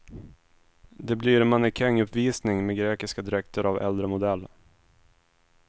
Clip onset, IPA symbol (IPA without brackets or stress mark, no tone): d̪